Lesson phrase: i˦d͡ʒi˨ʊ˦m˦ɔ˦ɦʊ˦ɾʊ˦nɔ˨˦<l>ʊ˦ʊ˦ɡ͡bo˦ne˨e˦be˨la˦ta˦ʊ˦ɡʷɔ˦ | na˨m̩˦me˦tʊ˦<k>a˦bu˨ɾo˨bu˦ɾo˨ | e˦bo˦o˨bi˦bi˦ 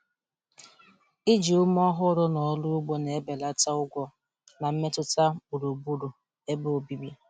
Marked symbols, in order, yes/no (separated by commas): yes, no